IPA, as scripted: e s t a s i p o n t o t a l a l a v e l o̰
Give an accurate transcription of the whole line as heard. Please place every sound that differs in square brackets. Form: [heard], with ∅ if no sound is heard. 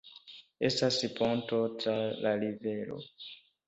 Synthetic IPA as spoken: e s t a s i p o n t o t a l a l [i] v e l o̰